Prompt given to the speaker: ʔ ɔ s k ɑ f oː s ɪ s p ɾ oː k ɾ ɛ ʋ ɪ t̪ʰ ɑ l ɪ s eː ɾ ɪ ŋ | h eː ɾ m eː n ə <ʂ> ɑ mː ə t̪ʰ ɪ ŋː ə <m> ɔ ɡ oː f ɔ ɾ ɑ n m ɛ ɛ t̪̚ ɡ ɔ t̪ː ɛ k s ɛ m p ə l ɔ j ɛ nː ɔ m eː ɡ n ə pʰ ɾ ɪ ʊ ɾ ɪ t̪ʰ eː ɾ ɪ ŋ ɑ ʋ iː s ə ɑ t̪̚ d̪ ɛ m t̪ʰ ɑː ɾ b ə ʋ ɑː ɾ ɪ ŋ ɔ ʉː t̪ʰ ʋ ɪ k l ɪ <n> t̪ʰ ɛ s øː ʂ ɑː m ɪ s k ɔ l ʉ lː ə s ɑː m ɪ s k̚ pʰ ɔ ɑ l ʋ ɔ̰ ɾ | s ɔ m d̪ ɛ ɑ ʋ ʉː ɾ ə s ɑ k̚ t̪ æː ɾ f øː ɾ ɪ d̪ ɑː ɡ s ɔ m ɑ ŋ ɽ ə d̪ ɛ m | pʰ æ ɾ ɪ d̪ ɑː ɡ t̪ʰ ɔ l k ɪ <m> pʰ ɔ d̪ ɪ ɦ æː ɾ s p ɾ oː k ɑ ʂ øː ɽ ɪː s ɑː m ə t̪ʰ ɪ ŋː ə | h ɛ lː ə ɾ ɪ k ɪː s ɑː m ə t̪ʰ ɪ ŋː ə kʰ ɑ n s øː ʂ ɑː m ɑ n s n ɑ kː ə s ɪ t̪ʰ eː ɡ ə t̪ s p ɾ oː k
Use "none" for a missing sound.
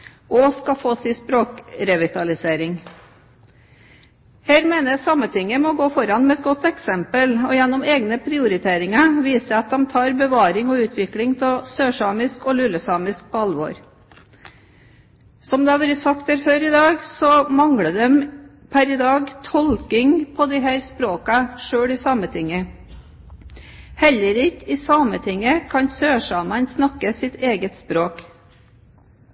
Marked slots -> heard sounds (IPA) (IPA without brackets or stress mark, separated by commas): s, m, ŋ, ŋ